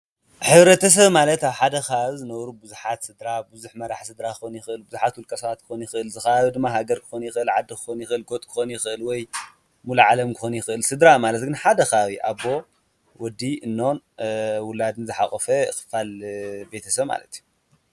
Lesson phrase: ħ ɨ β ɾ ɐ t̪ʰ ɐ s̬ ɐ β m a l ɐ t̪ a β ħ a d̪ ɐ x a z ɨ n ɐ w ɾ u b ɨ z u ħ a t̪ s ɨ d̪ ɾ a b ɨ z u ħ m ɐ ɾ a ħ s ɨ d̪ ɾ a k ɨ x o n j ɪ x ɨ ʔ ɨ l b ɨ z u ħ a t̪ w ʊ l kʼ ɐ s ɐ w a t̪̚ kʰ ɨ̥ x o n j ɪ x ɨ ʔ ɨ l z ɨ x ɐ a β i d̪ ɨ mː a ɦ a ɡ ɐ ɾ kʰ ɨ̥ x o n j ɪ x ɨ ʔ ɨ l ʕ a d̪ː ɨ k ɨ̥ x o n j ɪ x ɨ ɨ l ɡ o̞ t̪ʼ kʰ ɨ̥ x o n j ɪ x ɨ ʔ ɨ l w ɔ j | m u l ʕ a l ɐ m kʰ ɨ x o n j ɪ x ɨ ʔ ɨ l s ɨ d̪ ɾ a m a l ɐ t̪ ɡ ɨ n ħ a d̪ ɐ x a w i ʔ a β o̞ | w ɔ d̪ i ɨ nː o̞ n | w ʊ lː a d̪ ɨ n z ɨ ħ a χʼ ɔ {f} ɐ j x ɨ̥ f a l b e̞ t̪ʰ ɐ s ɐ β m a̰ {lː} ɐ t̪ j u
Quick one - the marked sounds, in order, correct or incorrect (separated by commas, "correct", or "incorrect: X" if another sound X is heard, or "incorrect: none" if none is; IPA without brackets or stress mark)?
correct, incorrect: l